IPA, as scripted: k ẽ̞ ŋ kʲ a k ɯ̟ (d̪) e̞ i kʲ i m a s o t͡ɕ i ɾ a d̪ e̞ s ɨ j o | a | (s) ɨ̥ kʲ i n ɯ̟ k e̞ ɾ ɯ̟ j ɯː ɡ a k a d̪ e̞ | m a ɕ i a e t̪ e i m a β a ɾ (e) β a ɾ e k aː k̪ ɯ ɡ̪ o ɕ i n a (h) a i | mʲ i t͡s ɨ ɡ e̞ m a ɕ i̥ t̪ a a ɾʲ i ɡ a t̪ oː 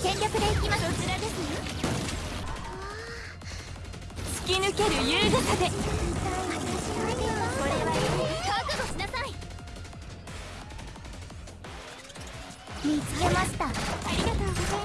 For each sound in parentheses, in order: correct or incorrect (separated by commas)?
correct, incorrect, correct, incorrect